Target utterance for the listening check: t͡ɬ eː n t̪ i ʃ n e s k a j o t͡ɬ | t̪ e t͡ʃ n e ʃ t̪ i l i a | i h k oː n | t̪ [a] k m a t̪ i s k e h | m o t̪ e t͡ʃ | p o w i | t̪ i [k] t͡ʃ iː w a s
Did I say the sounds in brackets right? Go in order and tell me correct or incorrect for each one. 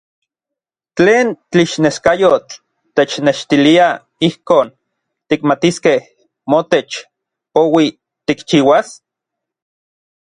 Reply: incorrect, correct

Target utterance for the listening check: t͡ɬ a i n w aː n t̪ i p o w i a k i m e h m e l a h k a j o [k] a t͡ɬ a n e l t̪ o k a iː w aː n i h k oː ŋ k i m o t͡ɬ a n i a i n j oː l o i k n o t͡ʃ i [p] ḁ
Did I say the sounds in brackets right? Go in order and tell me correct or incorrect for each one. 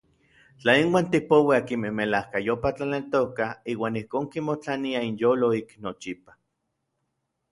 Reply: incorrect, correct

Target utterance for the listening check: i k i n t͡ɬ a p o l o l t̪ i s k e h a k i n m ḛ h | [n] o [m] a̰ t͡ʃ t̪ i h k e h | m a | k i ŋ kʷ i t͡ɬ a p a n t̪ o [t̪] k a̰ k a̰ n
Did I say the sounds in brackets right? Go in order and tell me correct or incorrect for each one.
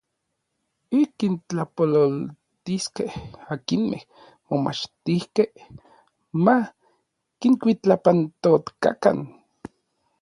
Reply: incorrect, correct, correct

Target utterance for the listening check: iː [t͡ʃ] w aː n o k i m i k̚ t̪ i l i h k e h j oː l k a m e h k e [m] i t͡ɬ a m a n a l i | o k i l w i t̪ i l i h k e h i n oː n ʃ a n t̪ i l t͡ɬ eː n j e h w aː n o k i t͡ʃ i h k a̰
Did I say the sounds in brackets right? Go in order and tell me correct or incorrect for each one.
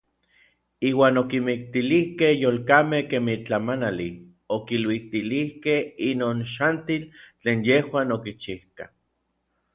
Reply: incorrect, correct

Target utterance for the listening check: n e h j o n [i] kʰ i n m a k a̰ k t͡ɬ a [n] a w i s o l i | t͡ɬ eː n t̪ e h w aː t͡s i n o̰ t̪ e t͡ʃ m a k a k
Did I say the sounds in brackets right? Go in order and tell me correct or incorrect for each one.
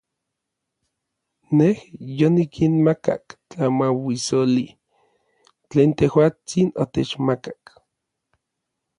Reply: correct, incorrect

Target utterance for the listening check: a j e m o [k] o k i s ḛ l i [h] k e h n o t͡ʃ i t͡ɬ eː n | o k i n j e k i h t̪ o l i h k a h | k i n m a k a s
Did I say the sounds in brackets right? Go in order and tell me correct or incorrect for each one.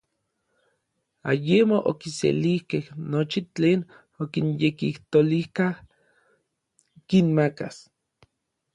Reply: incorrect, correct

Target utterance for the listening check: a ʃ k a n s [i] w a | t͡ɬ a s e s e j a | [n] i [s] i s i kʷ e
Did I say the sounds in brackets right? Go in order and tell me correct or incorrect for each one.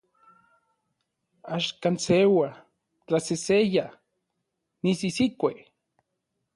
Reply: incorrect, correct, correct

